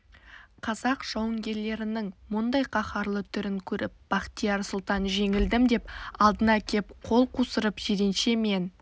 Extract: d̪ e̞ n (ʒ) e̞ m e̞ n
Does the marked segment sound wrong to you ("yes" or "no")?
yes